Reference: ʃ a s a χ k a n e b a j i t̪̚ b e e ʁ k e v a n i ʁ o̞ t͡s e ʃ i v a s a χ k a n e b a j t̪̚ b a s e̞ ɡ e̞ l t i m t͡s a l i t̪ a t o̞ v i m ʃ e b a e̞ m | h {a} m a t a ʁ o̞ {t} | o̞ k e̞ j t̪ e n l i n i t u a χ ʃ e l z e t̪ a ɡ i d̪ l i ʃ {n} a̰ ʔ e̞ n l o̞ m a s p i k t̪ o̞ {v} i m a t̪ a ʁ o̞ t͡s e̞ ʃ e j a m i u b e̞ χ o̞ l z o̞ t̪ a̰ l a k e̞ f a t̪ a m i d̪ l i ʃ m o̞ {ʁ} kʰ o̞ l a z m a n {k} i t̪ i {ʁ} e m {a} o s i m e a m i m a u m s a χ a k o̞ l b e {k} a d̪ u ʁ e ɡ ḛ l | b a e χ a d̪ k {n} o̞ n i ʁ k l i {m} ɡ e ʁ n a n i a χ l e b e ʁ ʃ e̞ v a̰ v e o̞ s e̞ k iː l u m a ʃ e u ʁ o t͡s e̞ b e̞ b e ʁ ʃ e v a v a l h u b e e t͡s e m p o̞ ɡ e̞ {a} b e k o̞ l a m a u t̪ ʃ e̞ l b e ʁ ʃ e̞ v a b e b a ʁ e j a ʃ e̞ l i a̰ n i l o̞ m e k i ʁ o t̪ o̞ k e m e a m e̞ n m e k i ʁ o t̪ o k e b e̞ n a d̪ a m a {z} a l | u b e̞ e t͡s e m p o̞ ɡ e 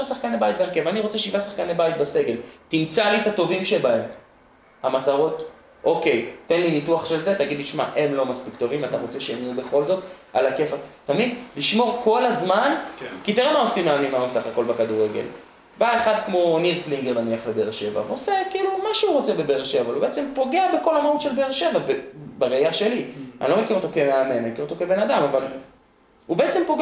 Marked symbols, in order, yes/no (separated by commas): yes, yes, no, yes, yes, yes, yes, yes, yes, no, no, yes, no